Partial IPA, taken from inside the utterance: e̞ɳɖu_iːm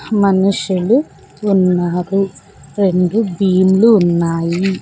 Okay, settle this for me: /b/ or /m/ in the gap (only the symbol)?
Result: b